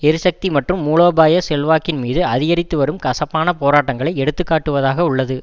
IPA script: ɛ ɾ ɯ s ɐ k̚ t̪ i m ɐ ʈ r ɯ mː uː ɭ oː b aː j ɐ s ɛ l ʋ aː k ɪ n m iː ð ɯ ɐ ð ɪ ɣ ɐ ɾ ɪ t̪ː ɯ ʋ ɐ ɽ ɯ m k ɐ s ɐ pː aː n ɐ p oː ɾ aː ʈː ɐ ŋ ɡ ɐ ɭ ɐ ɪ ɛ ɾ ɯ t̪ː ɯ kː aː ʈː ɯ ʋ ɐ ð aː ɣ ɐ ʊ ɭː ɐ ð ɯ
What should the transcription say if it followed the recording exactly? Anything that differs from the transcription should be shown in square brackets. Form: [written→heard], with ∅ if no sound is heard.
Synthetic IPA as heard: ɛ ɾ ɯ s ɐ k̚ t̪ i m ɐ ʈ r ɯ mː uː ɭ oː b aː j ɐ s ɛ l ʋ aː k ɪ n m iː ð ɯ ɐ ð ɪ ɣ ɐ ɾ ɪ t̪ː ɯ ʋ ɐ [ɽ→ɾ] ɯ m k ɐ s ɐ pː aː n ɐ p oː ɾ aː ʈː ɐ ŋ ɡ ɐ ɭ ɐ ɪ ɛ [ɾ→ɽ] ɯ t̪ː ɯ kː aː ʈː ɯ ʋ ɐ ð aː ɣ ɐ ʊ ɭː ɐ ð ɯ